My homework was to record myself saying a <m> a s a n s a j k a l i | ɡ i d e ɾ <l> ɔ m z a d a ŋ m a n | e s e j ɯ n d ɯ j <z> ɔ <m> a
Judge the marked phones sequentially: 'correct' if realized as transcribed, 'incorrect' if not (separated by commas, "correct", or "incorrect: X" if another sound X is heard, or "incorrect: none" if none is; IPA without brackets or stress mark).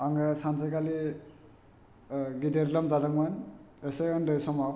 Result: incorrect: ŋ, correct, incorrect: s, correct